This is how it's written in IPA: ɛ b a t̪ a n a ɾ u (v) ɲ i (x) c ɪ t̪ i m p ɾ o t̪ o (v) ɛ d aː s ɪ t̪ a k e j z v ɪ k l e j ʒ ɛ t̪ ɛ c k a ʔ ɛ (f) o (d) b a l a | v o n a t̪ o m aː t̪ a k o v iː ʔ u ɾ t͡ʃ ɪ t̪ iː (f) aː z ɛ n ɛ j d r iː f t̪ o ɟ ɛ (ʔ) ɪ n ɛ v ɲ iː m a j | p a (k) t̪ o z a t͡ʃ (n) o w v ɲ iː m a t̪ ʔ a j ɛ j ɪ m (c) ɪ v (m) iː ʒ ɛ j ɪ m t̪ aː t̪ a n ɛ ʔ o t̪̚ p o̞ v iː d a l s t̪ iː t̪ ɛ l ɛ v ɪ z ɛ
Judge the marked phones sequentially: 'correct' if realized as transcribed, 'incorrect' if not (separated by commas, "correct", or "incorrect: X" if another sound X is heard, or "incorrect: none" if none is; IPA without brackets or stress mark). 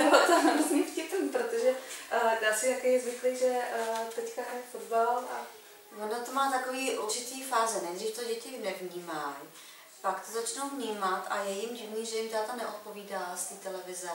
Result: incorrect: z, incorrect: f, incorrect: ʒ, correct, correct, correct, incorrect: c, correct, correct, incorrect: ɟ, incorrect: n